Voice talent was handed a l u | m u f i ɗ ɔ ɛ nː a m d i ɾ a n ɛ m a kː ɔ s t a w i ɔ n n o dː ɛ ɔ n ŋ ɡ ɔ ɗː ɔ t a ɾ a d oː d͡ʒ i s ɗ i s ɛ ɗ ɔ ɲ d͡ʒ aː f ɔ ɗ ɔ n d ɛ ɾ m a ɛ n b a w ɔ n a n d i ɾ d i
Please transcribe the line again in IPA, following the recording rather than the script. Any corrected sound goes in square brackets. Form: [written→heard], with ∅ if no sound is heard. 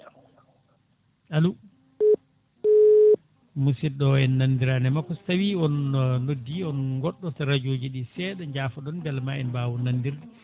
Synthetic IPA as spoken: a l u | m u [f→s] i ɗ ɔ ɛ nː a [m→n] d i ɾ a n ɛ m a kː ɔ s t a w i ɔ n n o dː [ɛ→i] ɔ n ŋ ɡ ɔ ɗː ɔ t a ɾ a [d→d͡ʒ] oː d͡ʒ i [s→∅] ɗ i s ɛ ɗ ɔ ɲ d͡ʒ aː f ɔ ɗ ɔ n [d→b] ɛ [ɾ→l] m a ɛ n b a w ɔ n a n d i ɾ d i